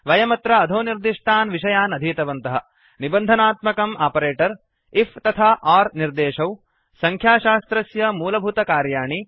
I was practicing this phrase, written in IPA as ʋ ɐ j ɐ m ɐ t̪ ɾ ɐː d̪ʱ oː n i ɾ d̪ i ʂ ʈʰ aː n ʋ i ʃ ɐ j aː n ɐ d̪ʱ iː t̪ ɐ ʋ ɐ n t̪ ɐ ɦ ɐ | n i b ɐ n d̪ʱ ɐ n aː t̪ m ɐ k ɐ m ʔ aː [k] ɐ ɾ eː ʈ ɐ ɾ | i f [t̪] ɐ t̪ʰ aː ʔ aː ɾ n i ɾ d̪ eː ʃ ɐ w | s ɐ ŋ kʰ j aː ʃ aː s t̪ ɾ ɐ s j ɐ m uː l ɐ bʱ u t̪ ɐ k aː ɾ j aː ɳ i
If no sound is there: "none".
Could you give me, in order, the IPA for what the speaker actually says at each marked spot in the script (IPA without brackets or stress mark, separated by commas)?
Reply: p, t̪